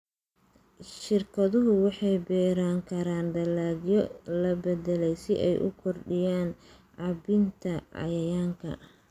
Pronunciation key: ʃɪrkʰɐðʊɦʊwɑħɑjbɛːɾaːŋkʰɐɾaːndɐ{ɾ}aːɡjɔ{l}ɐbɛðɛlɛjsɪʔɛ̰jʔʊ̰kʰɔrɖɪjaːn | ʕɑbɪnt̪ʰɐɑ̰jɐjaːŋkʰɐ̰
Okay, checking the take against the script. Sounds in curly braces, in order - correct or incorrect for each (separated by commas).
incorrect, correct